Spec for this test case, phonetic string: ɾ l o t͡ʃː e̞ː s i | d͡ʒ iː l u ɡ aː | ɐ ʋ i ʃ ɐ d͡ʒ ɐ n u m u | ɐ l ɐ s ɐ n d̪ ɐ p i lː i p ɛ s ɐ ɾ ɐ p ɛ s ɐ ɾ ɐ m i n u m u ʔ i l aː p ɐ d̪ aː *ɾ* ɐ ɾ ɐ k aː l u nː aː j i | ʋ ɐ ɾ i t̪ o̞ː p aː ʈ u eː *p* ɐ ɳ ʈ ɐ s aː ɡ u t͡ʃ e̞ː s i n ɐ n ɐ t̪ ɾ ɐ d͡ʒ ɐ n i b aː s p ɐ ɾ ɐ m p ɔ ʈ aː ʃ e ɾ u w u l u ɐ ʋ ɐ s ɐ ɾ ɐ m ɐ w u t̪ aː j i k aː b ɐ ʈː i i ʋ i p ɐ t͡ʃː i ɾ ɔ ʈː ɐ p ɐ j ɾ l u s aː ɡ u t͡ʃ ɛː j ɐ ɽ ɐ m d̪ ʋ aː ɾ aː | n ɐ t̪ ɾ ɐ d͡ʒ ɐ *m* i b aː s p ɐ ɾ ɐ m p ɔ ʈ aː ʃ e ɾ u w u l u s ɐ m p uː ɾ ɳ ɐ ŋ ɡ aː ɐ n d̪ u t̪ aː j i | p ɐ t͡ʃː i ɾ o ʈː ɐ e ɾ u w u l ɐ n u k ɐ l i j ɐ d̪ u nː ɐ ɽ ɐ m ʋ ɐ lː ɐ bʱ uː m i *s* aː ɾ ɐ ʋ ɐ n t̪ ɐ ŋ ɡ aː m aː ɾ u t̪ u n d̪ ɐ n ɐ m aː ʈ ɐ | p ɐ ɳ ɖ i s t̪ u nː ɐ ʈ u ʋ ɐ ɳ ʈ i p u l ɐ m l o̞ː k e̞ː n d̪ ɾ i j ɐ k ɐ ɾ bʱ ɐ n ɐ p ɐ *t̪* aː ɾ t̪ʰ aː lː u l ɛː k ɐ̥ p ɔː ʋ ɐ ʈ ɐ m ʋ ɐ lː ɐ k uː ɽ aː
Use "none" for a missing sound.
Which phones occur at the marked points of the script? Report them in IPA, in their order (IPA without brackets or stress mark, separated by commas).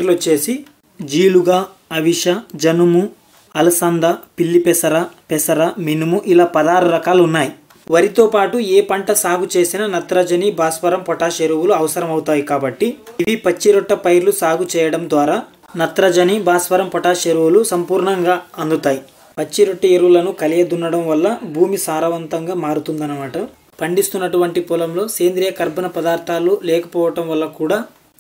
ɾ, p, n, s, d̪